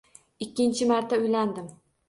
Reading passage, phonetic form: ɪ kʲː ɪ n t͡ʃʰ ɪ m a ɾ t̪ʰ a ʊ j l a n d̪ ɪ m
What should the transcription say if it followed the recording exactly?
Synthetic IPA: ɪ kʲː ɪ n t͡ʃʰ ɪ m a ɾ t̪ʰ a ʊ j l a n d̪ ɪ m